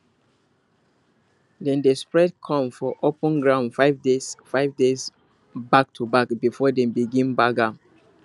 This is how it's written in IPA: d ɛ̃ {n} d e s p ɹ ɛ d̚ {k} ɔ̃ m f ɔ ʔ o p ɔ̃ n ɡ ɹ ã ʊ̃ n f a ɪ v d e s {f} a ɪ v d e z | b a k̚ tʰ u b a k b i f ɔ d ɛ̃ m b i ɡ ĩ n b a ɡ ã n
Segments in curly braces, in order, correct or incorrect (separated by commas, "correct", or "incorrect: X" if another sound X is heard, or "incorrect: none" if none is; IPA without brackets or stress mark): correct, incorrect: kʰ, correct